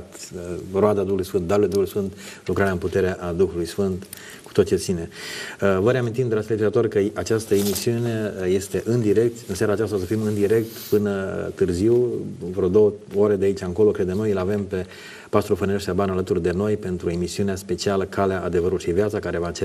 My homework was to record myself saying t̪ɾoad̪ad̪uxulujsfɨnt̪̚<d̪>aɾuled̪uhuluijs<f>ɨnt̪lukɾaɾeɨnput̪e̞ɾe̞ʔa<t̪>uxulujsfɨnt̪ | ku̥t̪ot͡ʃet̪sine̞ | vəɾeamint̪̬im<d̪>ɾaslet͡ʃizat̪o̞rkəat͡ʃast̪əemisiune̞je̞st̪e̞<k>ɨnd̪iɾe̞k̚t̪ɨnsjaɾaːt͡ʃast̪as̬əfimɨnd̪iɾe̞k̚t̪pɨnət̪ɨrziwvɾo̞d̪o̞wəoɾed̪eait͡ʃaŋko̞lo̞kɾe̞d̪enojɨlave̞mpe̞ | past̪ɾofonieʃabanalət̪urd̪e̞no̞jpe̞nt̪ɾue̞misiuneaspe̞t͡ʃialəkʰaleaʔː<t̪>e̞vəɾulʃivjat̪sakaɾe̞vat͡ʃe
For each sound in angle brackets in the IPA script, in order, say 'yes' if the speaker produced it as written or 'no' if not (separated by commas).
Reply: yes, yes, no, yes, no, no